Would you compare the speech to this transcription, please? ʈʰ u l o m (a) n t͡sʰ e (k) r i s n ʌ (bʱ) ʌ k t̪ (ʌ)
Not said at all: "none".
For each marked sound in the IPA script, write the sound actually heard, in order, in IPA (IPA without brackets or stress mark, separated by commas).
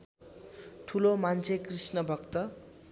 a, k, bʱ, ʌ